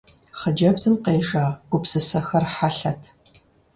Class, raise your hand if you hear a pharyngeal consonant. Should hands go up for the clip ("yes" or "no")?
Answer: yes